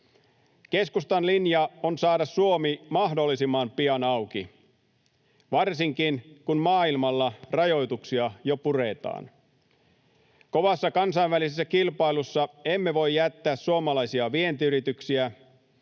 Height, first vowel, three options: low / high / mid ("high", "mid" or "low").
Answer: mid